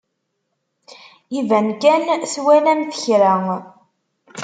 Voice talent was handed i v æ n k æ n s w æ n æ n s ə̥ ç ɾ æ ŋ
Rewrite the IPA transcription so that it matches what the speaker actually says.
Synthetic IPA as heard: i v æ n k æ n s w æ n æ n θ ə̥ ç ɾ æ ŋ